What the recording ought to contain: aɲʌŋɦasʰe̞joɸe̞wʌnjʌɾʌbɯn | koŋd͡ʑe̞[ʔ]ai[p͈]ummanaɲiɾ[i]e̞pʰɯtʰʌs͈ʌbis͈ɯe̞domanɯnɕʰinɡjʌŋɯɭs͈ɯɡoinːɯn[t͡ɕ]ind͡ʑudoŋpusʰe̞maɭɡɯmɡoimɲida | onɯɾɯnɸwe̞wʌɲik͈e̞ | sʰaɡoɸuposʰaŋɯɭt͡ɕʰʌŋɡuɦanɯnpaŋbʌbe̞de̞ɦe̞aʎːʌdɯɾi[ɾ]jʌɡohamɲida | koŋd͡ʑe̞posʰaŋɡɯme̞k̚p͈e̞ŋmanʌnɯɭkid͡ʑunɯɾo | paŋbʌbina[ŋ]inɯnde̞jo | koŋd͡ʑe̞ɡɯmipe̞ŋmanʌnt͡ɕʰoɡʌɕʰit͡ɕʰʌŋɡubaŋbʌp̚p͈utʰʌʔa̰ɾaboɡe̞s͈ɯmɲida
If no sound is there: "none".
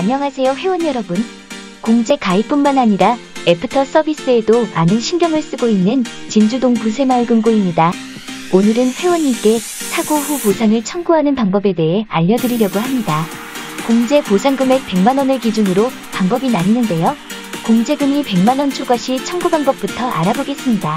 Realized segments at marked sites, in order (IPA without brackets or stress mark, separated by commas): k, p͈, a, t͡ɕ, ɾ, ɲ